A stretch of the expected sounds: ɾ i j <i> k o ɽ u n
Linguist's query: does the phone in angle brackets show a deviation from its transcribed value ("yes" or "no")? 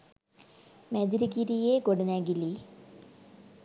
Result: yes